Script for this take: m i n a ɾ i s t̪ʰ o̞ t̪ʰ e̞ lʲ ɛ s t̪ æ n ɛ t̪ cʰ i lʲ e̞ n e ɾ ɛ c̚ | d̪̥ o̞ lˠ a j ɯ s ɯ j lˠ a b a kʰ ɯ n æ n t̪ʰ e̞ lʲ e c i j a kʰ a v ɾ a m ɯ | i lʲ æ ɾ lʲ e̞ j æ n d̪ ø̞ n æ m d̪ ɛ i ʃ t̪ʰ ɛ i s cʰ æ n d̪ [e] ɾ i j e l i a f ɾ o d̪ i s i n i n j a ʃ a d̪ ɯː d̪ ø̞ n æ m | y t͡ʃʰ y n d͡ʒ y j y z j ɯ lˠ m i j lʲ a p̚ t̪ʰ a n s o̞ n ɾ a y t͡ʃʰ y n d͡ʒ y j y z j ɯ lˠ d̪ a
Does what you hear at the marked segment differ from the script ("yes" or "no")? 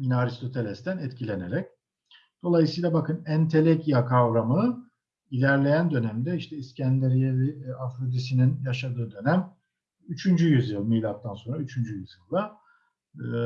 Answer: no